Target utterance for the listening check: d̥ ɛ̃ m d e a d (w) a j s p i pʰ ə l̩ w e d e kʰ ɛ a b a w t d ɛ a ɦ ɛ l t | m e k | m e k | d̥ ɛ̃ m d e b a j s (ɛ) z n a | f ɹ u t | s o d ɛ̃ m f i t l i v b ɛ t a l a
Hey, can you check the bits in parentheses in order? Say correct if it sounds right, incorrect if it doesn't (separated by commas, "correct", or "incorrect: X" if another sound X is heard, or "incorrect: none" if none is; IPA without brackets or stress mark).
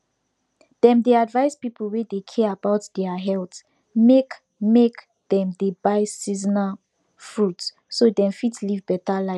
incorrect: v, incorrect: i